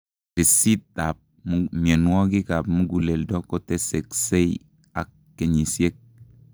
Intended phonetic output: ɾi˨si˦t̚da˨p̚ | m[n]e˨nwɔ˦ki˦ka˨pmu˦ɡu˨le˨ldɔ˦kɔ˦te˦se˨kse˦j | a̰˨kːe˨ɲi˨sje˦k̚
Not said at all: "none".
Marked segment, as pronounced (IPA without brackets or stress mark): m